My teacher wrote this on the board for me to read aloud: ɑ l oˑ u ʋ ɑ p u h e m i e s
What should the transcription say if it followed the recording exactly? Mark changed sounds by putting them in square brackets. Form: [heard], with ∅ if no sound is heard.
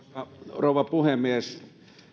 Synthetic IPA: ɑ [r] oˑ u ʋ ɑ p u h e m i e s